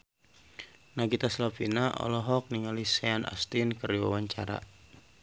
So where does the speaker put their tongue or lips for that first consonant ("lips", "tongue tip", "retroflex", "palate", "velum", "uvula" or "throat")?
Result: tongue tip